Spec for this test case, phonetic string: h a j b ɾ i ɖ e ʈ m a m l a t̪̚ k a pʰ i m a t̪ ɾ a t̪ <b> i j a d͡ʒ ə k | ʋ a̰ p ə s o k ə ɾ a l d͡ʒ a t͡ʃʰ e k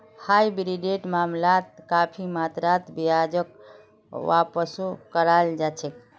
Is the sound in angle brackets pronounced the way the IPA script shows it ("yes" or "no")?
yes